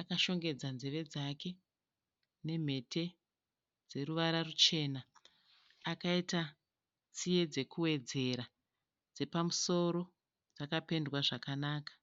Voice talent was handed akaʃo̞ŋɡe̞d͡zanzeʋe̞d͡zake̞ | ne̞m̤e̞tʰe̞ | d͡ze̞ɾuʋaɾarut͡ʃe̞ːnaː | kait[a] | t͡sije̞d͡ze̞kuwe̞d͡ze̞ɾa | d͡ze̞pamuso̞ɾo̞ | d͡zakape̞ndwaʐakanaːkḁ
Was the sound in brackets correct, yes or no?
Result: yes